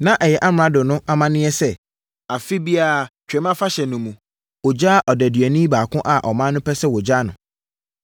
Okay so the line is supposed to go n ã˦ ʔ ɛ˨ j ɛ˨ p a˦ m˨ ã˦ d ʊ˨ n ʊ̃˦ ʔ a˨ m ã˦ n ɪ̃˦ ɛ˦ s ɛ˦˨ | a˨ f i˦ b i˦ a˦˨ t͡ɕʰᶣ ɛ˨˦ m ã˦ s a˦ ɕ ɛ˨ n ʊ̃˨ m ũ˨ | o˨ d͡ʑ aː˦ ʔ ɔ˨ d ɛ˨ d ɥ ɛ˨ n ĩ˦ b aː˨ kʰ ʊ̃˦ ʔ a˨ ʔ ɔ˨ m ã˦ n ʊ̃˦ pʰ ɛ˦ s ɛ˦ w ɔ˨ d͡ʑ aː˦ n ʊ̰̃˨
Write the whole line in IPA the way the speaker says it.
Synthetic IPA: n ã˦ ʔ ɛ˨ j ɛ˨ ʔ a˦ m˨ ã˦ d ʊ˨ n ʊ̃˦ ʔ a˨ m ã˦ n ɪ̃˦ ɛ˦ s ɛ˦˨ | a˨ f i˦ b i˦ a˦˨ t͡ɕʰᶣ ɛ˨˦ m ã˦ f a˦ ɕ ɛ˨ n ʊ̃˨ m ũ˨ | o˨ d͡ʑ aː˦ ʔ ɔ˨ d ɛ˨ d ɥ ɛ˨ n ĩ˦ b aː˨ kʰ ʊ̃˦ ʔ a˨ ʔ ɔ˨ m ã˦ n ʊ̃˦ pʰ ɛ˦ s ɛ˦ w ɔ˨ d͡ʑ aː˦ n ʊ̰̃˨